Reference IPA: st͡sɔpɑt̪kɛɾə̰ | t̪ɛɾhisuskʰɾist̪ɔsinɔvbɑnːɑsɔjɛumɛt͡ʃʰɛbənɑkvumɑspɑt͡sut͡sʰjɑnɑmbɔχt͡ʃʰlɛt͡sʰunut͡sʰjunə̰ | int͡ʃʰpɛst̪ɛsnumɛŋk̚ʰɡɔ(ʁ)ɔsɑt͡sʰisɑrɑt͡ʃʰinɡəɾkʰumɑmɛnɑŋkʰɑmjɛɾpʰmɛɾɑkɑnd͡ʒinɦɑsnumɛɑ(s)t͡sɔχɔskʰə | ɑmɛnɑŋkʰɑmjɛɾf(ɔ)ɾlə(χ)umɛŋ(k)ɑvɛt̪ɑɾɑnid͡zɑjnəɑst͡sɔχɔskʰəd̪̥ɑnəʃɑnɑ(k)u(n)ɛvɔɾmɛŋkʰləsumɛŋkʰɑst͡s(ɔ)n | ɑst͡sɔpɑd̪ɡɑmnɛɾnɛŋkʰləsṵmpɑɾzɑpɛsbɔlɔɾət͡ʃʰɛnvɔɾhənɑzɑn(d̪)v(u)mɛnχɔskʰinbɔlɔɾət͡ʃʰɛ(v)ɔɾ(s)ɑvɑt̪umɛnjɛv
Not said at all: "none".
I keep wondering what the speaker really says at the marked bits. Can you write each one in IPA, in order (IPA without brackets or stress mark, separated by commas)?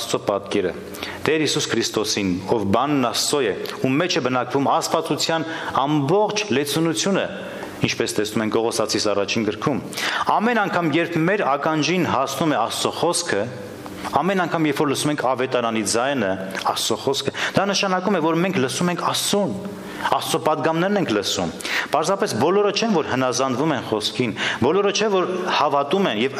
ʁ, s, ɔ, s, kʰ, k, m, u, d̪, u, v, h